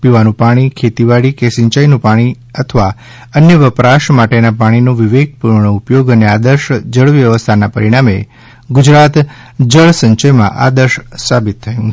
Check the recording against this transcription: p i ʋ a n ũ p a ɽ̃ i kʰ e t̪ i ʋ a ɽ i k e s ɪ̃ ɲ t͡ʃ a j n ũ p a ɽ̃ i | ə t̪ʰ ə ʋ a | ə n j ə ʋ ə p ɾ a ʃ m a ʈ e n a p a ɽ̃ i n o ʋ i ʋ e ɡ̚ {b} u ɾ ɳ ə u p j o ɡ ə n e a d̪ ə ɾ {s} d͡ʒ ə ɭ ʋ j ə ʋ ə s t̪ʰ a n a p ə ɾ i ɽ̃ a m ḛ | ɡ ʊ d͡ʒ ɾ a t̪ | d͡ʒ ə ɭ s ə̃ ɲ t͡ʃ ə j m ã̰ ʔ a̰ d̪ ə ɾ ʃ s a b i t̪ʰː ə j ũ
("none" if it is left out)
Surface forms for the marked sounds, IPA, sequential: p, ʃ

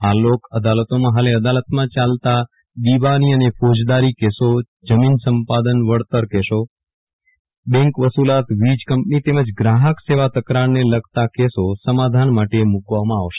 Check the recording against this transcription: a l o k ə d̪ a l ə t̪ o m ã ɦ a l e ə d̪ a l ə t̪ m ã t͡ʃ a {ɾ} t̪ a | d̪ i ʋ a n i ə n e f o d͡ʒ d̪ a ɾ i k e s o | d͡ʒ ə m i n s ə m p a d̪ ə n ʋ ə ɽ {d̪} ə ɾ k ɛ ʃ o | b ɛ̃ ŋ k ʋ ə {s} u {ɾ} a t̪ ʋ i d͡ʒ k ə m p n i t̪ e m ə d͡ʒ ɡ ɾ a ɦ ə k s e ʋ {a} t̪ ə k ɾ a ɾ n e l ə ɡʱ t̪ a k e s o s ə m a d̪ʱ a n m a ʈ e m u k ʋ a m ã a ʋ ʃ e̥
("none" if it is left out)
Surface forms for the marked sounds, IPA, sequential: l, t̪, s, l, a

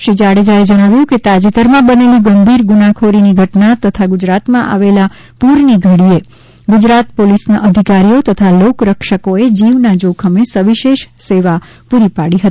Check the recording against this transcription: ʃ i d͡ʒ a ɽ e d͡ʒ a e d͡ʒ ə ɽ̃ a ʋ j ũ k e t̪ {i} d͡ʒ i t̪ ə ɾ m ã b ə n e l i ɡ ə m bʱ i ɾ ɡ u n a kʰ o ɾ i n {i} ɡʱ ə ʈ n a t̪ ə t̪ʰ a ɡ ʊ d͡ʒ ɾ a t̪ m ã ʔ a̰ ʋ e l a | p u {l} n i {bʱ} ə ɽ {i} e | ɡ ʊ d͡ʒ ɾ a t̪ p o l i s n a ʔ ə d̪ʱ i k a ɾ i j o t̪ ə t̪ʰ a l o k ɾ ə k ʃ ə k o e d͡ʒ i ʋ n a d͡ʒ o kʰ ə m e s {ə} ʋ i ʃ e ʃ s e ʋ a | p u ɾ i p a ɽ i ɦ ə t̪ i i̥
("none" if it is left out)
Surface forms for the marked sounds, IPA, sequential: a, i, ɾ, ɡʱ, i, ə

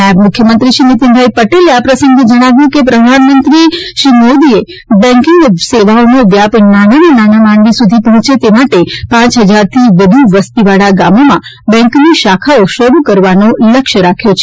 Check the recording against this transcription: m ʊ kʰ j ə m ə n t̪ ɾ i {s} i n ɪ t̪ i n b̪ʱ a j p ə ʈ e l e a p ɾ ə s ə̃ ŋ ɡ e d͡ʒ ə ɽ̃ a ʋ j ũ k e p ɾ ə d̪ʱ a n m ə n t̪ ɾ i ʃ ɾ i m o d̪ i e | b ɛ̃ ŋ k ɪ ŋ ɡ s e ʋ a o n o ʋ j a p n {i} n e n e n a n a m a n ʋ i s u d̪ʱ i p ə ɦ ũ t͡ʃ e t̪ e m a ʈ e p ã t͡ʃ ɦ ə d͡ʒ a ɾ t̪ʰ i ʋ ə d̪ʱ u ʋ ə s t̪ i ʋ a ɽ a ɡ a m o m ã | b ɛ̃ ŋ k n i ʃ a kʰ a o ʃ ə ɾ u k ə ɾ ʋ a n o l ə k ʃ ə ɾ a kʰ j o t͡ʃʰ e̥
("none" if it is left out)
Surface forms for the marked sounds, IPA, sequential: ʃ, a

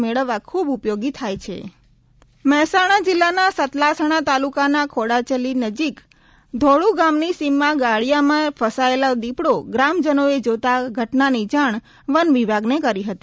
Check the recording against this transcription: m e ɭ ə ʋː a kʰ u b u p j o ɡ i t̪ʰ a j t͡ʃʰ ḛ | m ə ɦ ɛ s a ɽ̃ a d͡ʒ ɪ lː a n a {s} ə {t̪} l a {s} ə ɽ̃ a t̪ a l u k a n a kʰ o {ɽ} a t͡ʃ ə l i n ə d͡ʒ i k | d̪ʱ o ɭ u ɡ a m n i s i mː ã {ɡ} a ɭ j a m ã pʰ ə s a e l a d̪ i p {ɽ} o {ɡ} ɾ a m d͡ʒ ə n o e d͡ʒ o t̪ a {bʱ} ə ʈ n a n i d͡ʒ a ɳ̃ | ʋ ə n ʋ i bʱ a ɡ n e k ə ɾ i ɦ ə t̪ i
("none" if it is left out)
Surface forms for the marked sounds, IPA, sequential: s, t̪, s, ɽ, ɡ, ɽ, ɡ, ɡʱ

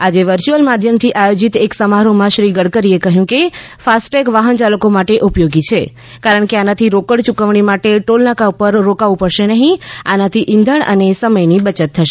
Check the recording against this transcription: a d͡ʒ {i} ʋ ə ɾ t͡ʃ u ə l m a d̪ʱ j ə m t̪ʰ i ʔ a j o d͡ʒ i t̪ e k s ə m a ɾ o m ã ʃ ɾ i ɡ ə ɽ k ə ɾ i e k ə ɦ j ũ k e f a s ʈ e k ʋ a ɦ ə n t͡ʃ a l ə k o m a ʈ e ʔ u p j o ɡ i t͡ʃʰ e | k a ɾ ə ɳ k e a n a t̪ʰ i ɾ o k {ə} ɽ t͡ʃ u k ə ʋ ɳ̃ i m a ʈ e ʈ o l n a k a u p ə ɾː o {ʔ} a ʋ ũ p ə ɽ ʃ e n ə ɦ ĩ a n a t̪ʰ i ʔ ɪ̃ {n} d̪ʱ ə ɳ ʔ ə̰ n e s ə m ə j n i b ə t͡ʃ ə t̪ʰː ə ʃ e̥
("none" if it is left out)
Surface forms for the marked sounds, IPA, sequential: e, ə, k, n

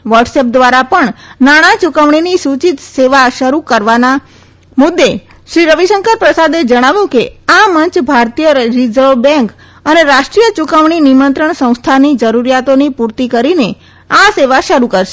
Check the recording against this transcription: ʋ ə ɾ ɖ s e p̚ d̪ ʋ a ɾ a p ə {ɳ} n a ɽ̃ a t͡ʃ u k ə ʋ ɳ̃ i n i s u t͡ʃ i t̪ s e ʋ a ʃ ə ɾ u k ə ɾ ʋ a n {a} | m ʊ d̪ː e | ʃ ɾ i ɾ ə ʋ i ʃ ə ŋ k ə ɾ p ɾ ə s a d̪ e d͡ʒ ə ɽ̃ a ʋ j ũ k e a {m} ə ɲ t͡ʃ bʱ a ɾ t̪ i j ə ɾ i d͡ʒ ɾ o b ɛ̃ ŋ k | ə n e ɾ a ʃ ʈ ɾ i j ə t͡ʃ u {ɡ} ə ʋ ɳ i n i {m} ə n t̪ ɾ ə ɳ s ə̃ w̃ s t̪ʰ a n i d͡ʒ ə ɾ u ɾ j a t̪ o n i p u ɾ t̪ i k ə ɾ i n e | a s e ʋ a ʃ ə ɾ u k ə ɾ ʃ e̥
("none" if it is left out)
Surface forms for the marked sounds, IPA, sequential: ɳ, a, m, k, m

